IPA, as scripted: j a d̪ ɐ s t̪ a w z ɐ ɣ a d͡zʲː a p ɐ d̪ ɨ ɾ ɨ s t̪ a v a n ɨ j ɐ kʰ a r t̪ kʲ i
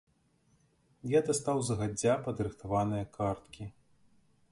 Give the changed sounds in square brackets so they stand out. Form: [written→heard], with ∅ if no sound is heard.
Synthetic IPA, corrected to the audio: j a d̪ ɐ s t̪ a w z ɐ ɣ a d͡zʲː a p ɐ d̪ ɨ ɾ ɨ [s→x] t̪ a v a n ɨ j ɐ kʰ a r t̪ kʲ i